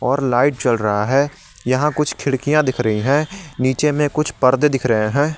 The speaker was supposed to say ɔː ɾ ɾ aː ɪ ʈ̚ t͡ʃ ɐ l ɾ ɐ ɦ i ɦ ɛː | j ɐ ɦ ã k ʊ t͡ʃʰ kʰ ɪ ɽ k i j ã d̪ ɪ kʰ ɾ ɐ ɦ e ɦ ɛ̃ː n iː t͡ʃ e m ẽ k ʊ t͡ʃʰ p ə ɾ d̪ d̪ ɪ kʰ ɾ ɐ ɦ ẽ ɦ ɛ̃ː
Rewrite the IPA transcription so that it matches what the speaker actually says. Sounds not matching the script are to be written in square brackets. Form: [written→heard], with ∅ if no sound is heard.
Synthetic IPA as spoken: ɔː ɾ [ɾ→l] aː ɪ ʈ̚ t͡ʃ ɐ l ɾ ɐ ɦ [i→a] ɦ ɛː | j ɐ ɦ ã k ʊ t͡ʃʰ kʰ ɪ ɽ k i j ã d̪ ɪ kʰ ɾ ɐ ɦ [e→i] ɦ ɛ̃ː n iː t͡ʃ e m ẽ k ʊ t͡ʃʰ p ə ɾ d̪ d̪ ɪ kʰ ɾ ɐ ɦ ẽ ɦ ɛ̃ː